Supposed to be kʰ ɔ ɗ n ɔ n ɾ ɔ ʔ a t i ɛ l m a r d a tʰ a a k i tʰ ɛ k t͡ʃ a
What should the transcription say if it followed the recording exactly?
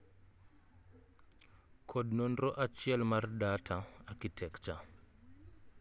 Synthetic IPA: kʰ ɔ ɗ n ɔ n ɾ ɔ ʔ a t͡ʃ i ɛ l m a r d a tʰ a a k i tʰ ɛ k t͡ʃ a